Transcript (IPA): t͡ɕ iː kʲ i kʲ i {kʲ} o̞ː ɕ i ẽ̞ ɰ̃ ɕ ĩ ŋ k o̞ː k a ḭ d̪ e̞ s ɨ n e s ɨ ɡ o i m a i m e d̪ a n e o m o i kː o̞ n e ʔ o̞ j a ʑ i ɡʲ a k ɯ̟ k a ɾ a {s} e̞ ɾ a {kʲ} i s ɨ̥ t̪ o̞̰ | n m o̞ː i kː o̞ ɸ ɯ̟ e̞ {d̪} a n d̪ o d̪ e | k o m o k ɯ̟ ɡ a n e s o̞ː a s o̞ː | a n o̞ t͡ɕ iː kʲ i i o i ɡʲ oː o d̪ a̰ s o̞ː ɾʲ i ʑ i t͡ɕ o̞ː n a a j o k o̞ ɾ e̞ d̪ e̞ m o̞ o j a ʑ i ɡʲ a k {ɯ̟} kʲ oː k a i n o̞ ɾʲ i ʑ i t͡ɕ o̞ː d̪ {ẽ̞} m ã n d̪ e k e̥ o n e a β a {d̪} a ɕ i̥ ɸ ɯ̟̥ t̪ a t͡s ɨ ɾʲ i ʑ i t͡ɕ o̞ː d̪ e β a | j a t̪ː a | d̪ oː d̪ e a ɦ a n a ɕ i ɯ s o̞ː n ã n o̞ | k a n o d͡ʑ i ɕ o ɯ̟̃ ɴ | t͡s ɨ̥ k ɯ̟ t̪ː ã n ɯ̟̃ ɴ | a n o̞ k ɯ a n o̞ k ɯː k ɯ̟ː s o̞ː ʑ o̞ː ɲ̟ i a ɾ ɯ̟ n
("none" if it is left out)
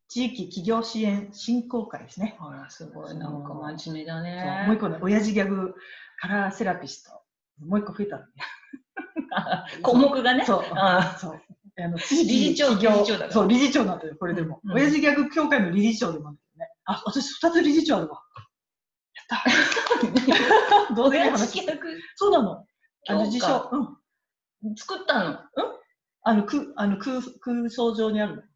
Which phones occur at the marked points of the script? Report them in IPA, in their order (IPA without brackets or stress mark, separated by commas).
ɡʲ, s, pʲ, t̪, ɯ̟, e̞, t̪